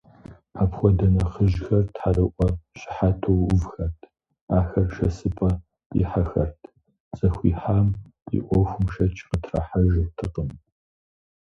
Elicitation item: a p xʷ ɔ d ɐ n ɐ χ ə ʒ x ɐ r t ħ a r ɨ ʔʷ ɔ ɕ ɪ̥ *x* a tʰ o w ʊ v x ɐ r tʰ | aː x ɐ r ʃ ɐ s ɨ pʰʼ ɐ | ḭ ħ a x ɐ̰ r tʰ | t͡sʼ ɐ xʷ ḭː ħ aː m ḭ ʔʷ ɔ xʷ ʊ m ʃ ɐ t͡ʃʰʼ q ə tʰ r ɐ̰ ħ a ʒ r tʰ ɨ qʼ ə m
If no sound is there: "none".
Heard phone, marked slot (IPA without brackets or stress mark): ħ